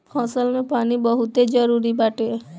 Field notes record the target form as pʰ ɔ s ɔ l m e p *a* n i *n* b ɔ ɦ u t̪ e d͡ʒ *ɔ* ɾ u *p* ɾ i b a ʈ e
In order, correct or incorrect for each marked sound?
correct, incorrect: none, correct, incorrect: none

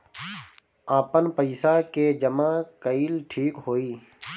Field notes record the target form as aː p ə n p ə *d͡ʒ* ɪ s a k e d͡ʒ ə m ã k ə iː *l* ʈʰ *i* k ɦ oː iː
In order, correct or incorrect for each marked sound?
incorrect: none, correct, incorrect: iː

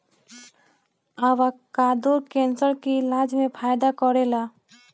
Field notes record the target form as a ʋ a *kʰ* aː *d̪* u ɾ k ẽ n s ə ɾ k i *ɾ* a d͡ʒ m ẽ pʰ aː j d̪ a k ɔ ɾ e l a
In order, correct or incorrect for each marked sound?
incorrect: k, correct, incorrect: l

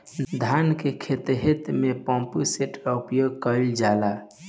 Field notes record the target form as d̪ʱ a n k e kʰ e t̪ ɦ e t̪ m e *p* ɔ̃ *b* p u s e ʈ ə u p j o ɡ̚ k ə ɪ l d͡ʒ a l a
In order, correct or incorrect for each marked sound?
correct, incorrect: m

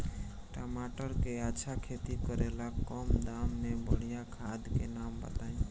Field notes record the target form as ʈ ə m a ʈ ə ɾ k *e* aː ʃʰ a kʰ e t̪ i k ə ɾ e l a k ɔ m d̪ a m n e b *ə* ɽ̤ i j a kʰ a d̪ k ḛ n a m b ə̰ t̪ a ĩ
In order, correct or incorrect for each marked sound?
correct, correct

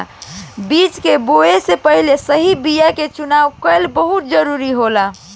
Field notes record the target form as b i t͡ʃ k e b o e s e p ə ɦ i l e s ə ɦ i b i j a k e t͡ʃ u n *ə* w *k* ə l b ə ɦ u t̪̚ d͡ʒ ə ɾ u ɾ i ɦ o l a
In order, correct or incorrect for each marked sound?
incorrect: a, correct

